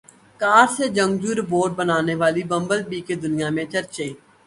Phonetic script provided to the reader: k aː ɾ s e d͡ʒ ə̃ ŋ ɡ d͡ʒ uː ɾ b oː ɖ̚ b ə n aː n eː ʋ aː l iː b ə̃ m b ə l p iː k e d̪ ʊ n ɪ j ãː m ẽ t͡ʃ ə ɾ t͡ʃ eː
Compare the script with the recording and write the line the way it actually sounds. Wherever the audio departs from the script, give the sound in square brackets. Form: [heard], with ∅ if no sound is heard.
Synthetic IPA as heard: k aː ɾ s e d͡ʒ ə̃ ŋ ɡ d͡ʒ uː ɾ b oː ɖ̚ b ə n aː n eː ʋ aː l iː b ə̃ m b ə l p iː k e d̪ ʊ n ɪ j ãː m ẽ t͡ʃ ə ɾ t͡ʃ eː